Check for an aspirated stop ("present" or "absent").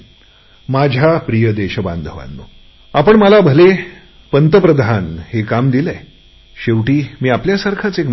present